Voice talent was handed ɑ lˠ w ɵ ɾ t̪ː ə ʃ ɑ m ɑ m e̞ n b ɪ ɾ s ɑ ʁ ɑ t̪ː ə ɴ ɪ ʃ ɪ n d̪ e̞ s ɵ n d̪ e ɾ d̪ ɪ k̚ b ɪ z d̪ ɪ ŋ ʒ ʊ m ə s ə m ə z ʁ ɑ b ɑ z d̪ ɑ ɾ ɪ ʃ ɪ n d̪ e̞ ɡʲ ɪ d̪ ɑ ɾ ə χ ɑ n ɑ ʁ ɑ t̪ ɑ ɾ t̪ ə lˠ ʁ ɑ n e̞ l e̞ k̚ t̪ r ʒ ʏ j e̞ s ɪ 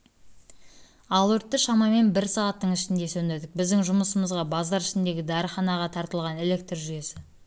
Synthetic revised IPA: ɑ lˠ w ɵ ɾ t̪ː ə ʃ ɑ m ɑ m e̞ n b ɪ ɾ s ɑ ʁ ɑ t̪ː ə ɴ ɪ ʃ ɪ n d̪ e̞ s ɵ n d̪ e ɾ d̪ ɪ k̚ b ɪ z d̪ ɪ ŋ ʒ ʊ m ə s ə m ə z ʁ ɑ b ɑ z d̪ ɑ ɾ ɪ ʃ ɪ n d̪ e̞ ɡʲ ɪ d̪ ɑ ɾ ə χ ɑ n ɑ ʁ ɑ t̪ʰ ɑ ɾ t̪ ə lˠ ʁ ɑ n e̞ l e̞ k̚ t̪ r ʒ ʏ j e̞ s ɪ